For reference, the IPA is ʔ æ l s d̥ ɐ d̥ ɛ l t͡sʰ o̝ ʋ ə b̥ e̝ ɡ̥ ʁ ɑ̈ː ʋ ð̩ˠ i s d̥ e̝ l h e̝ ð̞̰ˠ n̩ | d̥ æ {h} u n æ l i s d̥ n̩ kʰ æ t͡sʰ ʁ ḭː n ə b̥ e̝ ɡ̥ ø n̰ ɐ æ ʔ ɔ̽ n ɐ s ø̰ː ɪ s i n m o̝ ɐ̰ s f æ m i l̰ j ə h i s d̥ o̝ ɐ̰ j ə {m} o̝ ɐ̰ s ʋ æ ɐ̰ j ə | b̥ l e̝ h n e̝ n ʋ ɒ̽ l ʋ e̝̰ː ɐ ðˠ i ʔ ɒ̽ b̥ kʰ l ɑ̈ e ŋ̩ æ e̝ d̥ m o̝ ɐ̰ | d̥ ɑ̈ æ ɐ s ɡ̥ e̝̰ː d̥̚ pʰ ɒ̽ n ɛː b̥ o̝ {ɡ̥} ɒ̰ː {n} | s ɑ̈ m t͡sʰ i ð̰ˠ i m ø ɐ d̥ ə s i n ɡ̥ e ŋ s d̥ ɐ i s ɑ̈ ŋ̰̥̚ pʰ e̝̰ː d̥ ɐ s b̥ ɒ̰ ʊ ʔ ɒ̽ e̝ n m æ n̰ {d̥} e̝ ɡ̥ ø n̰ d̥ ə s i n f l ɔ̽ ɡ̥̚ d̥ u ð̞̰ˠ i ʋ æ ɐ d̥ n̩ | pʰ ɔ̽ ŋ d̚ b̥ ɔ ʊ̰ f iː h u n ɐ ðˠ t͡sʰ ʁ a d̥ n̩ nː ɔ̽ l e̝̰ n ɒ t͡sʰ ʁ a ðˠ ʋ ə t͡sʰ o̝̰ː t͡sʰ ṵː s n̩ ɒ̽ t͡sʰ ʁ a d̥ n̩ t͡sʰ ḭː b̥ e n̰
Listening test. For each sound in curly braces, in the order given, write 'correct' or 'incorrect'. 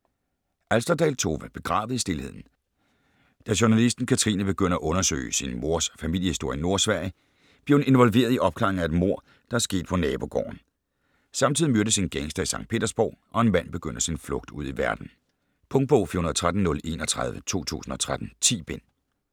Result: incorrect: ɕ, incorrect: n, correct, correct, incorrect: b̥

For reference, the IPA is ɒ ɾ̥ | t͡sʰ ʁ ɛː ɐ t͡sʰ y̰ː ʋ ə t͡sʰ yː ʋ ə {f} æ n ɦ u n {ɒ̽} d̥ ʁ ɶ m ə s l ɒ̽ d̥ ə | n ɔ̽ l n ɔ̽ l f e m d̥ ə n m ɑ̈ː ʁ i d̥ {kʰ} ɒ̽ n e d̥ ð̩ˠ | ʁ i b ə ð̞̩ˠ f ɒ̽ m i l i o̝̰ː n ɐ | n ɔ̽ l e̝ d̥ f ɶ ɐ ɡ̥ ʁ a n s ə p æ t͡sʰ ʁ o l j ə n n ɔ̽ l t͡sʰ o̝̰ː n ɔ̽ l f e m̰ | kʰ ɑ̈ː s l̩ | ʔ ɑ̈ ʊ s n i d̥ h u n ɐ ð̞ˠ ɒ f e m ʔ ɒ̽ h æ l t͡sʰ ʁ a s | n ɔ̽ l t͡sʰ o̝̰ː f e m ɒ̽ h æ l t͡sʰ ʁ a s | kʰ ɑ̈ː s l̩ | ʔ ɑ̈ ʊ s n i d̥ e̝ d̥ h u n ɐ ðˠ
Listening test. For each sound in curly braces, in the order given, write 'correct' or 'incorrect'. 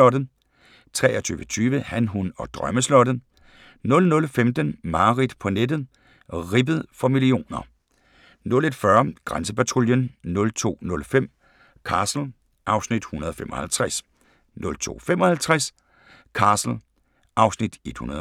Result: incorrect: h, correct, incorrect: pʰ

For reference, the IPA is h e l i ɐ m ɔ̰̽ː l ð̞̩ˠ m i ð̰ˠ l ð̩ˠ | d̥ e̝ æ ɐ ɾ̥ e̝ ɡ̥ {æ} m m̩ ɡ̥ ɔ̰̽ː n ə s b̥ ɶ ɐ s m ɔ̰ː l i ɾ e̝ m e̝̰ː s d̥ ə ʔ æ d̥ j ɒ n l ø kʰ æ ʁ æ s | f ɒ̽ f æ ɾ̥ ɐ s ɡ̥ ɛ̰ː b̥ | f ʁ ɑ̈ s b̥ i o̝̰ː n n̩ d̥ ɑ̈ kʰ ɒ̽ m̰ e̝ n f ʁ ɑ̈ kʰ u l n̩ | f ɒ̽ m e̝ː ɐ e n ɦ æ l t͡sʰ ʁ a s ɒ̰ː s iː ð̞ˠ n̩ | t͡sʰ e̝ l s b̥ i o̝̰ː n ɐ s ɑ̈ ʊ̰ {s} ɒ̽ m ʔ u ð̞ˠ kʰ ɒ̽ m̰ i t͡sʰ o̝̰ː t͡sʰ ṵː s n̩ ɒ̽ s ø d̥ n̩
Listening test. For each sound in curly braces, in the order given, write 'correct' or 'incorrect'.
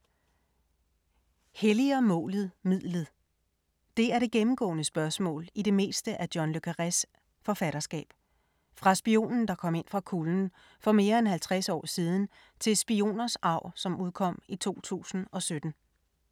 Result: incorrect: e, correct

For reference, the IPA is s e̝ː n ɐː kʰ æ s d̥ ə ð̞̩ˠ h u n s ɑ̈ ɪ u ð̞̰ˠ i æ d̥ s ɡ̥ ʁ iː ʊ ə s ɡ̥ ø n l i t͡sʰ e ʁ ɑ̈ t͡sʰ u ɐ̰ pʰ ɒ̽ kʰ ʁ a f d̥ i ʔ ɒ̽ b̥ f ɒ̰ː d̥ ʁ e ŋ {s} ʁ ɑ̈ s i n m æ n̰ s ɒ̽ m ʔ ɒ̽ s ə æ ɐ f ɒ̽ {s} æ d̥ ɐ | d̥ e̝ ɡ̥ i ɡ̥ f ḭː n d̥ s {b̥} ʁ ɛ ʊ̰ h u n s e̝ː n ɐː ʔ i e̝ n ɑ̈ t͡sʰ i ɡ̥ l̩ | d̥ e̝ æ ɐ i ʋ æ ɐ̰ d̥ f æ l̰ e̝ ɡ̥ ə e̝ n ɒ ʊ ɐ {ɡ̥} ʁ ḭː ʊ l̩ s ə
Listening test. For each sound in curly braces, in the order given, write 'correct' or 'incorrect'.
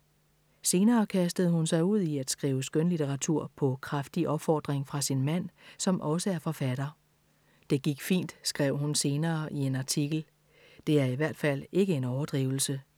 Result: incorrect: f, incorrect: f, incorrect: ɡ̥, incorrect: d̥

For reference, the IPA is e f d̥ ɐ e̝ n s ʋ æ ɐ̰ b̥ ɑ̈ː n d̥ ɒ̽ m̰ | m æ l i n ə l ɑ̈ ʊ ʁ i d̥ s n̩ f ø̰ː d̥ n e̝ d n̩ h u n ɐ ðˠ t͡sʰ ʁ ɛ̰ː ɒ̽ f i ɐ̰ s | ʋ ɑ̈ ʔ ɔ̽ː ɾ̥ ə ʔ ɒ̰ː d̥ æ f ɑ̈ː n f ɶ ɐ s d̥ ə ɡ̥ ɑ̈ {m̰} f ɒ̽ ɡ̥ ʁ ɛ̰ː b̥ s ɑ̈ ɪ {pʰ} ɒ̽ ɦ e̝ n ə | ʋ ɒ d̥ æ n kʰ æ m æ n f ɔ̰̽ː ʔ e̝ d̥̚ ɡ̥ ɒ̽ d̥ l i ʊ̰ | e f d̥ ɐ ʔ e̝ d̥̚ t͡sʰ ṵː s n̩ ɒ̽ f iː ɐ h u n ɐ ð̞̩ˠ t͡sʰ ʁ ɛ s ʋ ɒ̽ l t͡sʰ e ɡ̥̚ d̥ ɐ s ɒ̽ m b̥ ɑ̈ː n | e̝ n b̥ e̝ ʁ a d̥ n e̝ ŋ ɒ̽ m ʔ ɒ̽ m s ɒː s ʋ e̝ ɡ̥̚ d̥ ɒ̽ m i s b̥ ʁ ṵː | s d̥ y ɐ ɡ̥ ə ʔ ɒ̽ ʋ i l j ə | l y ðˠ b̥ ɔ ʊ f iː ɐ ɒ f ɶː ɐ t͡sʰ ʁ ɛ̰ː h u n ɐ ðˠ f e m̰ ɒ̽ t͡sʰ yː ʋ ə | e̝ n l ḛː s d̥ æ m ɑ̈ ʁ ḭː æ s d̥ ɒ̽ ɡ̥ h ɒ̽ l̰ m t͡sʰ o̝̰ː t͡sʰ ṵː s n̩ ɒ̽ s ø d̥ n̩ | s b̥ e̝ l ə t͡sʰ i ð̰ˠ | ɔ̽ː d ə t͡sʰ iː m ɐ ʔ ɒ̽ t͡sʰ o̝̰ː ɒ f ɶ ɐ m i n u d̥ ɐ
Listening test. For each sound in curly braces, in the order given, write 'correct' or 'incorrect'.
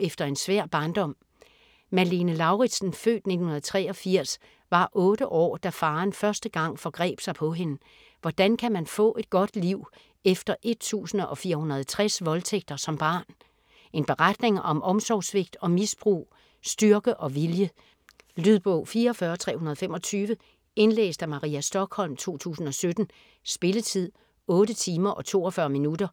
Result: incorrect: ŋ̰, correct

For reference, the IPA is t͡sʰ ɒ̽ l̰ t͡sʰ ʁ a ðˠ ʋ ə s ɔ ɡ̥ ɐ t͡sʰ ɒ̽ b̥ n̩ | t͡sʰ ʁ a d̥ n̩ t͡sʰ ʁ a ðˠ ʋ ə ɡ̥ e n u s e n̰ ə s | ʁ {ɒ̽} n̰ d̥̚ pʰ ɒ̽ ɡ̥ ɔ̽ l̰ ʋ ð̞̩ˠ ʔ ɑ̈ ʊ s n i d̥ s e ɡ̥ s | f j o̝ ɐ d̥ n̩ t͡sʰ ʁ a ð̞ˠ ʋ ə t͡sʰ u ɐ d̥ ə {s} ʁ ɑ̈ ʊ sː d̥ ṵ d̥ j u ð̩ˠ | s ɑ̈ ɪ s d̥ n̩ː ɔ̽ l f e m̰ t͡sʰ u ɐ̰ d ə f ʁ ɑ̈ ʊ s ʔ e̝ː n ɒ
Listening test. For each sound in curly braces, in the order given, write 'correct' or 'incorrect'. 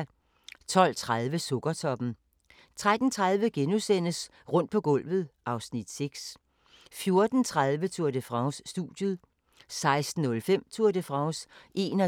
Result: incorrect: ɔ̽, incorrect: f

